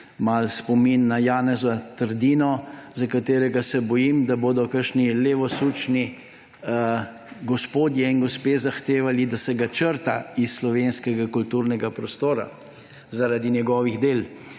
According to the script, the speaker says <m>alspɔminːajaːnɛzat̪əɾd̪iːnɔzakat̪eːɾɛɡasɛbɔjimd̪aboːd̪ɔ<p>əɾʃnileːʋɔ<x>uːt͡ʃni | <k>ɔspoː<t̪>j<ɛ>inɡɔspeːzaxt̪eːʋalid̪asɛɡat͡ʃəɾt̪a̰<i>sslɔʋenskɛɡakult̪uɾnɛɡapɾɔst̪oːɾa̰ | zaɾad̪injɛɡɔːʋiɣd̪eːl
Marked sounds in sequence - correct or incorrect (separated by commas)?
correct, incorrect, incorrect, incorrect, incorrect, correct, correct